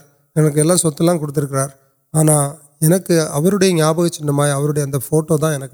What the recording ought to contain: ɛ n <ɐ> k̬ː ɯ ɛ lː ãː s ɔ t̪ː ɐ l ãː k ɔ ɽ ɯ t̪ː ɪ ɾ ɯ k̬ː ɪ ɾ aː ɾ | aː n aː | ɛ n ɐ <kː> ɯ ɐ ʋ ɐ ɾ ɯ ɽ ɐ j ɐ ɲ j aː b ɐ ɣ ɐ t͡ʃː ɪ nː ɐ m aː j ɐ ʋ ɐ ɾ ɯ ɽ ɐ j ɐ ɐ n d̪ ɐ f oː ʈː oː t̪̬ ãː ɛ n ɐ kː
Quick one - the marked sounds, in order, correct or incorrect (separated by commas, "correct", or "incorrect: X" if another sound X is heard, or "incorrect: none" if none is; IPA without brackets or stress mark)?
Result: correct, correct